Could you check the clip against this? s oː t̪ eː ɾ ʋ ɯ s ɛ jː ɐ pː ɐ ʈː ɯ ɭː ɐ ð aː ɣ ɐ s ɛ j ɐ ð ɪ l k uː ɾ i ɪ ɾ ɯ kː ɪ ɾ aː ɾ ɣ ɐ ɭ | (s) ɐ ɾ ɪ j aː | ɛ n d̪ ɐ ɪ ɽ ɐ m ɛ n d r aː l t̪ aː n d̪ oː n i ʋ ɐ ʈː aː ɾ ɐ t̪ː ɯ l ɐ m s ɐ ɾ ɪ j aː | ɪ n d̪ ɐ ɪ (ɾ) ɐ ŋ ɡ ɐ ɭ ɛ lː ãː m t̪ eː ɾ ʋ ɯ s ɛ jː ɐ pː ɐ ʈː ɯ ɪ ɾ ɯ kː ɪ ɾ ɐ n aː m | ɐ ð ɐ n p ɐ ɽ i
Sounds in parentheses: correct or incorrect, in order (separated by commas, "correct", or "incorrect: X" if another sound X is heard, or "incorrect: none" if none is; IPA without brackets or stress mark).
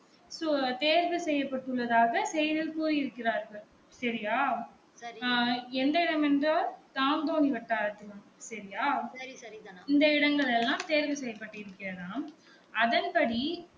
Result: correct, incorrect: ɽ